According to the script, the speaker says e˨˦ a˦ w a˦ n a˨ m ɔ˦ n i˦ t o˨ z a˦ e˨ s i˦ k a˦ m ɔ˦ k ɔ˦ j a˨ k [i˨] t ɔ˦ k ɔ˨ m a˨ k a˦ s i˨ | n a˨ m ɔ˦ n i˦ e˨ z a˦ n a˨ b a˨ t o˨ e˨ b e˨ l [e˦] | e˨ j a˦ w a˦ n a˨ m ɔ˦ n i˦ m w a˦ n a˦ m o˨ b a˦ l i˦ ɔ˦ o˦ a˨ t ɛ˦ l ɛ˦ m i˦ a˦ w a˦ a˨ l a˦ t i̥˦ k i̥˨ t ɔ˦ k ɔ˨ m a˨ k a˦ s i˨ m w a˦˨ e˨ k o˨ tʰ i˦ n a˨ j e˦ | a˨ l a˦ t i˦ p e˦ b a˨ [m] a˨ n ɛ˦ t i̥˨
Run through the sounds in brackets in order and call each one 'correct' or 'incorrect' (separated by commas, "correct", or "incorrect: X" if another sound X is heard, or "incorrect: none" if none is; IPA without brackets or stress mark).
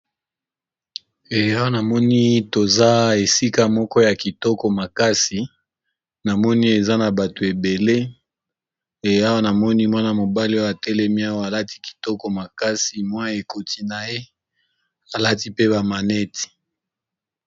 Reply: correct, correct, correct